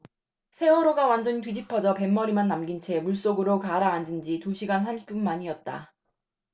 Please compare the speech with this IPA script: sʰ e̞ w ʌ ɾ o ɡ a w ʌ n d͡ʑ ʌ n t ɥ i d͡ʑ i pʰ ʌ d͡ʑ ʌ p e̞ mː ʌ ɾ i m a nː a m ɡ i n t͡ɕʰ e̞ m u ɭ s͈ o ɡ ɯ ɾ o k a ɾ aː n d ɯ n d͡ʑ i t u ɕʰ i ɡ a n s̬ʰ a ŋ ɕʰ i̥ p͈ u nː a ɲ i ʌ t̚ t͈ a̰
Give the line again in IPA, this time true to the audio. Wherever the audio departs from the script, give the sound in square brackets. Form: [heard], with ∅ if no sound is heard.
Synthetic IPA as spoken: sʰ e̞ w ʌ ɾ o ɡ a w [a] n d͡ʑ ʌ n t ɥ i d͡ʑ i pʰ ʌ d͡ʑ ʌ p e̞ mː ʌ ɾ i m a nː a m ɡ i n t͡ɕʰ e̞ m u ɭ s͈ o ɡ ɯ ɾ o k a ɾ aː n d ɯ n d͡ʑ i t u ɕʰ i ɡ a n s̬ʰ a [m] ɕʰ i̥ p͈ u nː a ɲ i ʌ t̚ t͈ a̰